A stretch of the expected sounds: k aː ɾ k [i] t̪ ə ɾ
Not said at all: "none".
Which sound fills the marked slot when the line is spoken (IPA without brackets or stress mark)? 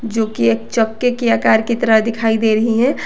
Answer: i